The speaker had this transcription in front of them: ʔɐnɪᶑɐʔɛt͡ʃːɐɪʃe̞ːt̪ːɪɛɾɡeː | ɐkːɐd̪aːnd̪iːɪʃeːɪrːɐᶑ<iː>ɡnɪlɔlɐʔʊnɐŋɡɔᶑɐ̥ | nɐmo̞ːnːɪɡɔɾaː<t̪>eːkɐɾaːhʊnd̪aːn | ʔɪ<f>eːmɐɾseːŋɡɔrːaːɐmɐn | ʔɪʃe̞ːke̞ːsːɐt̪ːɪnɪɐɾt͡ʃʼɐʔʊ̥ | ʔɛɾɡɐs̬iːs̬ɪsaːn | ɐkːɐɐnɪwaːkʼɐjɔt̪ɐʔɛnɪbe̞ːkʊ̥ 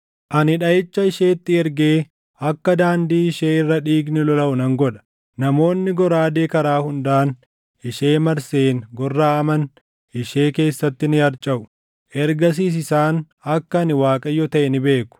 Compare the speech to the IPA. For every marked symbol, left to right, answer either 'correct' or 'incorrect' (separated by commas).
correct, incorrect, incorrect